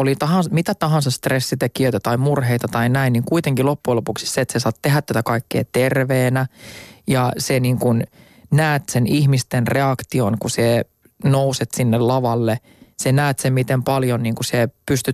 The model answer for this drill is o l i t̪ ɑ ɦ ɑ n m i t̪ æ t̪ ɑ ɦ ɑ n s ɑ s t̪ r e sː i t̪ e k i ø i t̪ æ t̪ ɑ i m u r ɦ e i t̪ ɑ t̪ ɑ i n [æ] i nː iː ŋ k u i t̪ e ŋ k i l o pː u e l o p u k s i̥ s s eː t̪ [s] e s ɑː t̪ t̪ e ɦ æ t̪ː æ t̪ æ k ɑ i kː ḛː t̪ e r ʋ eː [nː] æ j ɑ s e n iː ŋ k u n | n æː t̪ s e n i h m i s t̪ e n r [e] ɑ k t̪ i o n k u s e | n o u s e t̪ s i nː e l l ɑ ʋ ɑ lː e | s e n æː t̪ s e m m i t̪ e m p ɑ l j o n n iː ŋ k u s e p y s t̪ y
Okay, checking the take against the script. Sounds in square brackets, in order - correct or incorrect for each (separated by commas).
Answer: correct, correct, incorrect, correct